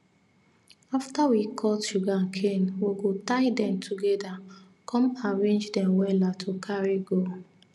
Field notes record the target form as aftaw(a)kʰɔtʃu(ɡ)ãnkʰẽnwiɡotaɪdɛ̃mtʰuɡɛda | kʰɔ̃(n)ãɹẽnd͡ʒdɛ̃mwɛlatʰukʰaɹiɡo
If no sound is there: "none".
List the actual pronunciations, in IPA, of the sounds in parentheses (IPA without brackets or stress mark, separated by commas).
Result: i, ɡ, m